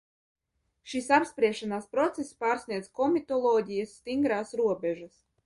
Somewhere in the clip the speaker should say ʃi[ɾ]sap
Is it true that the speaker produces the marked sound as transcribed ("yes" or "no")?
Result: no